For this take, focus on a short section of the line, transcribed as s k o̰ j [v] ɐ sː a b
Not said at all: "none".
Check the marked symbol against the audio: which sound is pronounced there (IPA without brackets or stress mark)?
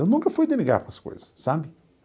z